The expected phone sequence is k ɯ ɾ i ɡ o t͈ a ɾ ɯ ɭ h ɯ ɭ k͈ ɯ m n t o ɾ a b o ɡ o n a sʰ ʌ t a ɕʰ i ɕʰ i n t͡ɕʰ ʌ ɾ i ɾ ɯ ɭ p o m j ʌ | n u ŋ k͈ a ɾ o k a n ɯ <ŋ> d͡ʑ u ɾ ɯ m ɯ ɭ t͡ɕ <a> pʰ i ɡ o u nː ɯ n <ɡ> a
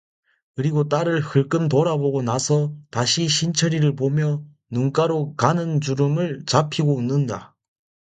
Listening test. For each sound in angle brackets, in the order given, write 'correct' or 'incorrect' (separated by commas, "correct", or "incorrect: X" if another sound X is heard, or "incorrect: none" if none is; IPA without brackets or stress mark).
incorrect: n, correct, incorrect: d